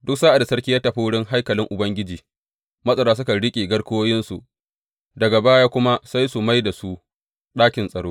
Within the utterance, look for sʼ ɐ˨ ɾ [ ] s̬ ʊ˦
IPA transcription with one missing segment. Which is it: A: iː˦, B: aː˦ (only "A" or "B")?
B